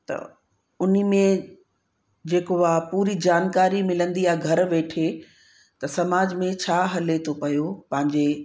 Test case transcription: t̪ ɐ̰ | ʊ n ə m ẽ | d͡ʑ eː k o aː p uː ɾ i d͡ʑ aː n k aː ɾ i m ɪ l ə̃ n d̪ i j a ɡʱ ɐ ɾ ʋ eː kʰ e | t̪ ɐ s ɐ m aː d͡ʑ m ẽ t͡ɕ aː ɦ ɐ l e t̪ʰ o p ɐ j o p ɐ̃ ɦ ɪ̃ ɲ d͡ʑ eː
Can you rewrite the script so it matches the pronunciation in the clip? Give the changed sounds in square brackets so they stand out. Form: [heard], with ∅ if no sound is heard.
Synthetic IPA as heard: t̪ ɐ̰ | ʊ n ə m ẽ | d͡ʑ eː k o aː p uː ɾ i d͡ʑ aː n k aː ɾ i m ɪ l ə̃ n d̪ i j a ɡʱ ɐ ɾ ʋ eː [ʈʰ] e | t̪ ɐ s ɐ m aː d͡ʑ m ẽ [t͡ɕʰ] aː ɦ ɐ l e t̪ʰ o p ɐ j o p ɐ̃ ɦ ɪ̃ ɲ d͡ʑ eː